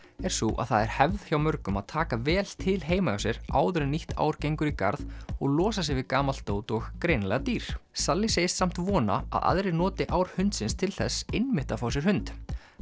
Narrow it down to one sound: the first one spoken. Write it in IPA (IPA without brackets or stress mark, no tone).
ɛ